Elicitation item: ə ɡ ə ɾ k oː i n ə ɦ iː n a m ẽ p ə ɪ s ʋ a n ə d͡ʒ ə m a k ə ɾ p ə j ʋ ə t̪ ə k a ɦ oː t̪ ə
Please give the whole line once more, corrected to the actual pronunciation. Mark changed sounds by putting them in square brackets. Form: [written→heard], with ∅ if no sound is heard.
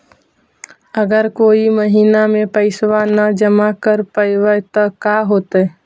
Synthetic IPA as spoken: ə ɡ ə ɾ k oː i [n→m] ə ɦ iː n a m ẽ p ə ɪ s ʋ a n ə d͡ʒ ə m a k ə ɾ p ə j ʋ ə t̪ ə k a ɦ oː t̪ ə

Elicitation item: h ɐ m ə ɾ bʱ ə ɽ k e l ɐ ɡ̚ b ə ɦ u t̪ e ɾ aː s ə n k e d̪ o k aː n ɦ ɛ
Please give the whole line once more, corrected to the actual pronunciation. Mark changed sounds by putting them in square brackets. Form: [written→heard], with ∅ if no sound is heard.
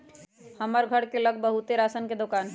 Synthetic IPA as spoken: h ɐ m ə ɾ [bʱ→ɡʱ] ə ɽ k e l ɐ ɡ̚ b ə ɦ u t̪ e ɾ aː s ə n k e d̪ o k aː n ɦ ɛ

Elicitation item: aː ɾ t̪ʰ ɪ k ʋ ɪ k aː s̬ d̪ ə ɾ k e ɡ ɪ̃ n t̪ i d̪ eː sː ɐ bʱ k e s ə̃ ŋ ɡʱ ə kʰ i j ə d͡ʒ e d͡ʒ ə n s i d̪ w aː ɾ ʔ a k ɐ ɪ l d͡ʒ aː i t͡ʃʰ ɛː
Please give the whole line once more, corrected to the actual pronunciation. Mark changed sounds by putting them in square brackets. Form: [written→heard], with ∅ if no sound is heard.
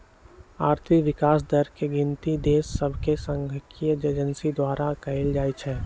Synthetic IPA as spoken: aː ɾ t̪ʰ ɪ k ʋ ɪ k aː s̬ d̪ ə ɾ k e ɡ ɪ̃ n t̪ i d̪ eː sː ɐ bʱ k e s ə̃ ŋ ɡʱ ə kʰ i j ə d͡ʒ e d͡ʒ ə n s i d̪ w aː ɾ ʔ a k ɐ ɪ l d͡ʒ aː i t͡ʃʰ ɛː

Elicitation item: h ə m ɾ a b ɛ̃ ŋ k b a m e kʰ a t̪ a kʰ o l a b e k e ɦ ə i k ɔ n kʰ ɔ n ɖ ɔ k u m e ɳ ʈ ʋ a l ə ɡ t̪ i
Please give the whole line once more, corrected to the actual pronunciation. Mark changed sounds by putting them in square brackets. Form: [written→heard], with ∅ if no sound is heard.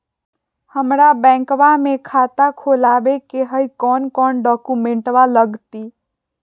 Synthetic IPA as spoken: h ə m ɾ a b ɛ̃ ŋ k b a m e kʰ a t̪ a kʰ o l a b e k e ɦ ə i k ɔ n [kʰ→k] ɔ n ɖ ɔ k u m e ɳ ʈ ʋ a l ə ɡ t̪ i

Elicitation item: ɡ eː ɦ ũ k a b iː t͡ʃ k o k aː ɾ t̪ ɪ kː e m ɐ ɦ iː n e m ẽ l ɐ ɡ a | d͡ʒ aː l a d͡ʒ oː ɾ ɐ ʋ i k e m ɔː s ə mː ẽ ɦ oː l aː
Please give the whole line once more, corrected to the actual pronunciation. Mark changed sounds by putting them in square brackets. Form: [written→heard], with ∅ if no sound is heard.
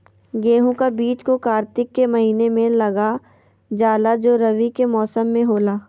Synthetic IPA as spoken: ɡ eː ɦ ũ k a b iː t͡ʃ k o k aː ɾ t̪ ɪ kː e m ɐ ɦ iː n e m ẽ l ɐ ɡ a | d͡ʒ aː l a d͡ʒ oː ɾ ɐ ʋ i k e m ɔː s ə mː ẽ ɦ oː l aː

